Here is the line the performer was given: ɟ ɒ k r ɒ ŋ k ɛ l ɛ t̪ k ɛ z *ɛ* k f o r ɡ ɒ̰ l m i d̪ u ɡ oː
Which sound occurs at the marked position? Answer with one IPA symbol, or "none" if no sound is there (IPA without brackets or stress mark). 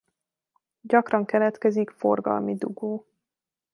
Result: i